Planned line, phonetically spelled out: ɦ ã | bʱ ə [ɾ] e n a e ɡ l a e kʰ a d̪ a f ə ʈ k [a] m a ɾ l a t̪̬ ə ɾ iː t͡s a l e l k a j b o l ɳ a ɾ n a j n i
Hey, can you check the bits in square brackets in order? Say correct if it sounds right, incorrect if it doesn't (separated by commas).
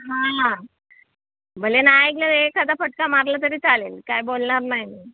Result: incorrect, correct